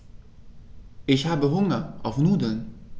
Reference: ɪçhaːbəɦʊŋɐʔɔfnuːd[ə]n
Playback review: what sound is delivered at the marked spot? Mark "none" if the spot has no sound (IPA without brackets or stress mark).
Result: ə